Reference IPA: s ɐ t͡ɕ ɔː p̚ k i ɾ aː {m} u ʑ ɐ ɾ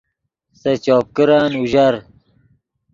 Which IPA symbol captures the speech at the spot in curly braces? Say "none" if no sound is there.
n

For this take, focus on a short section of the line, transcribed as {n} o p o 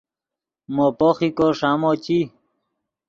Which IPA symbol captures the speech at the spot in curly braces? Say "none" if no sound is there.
m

